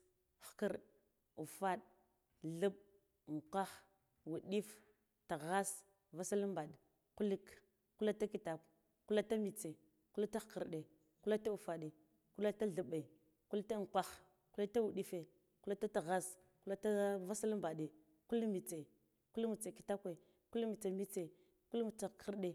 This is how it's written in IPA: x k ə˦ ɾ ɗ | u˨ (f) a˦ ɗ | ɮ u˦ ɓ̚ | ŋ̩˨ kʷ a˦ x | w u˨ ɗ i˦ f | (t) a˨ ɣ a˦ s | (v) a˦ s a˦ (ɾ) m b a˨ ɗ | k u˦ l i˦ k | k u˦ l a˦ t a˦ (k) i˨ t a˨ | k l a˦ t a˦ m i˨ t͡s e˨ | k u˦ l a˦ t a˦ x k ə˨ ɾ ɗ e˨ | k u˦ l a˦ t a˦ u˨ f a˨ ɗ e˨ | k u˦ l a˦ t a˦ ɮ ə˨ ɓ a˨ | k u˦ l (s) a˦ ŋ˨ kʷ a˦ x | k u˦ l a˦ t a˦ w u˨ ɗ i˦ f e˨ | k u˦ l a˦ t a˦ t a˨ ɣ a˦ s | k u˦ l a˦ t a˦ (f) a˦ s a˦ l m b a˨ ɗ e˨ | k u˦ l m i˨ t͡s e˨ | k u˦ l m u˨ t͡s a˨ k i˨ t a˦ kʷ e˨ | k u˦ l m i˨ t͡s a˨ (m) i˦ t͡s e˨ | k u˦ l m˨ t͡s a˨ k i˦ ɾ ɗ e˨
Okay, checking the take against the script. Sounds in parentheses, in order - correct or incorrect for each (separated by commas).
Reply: correct, correct, correct, incorrect, correct, incorrect, incorrect, correct